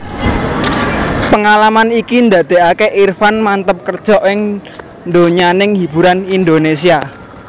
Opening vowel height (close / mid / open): mid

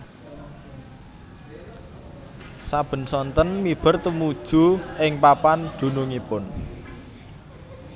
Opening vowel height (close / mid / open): open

